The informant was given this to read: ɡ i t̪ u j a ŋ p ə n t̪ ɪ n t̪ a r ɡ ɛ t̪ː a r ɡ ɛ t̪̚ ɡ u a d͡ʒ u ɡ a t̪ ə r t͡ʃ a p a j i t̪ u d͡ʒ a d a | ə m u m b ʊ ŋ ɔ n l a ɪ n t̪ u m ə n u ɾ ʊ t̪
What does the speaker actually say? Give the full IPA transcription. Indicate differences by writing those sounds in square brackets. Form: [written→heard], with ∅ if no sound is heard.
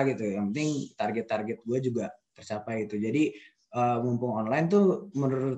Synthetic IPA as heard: ɡ i t̪ u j a ŋ p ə n t̪ ɪ [n→ŋ] t̪ a r ɡ ɛ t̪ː a r ɡ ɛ t̪̚ ɡ u a d͡ʒ u ɡ a t̪ ə r t͡ʃ a p a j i t̪ u d͡ʒ a d [a→i] | ə m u m [b→p] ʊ ŋ ɔ n l a ɪ n t̪ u m ə n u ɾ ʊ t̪